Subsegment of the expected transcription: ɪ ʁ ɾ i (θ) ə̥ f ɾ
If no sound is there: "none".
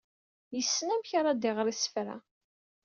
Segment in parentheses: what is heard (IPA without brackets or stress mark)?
s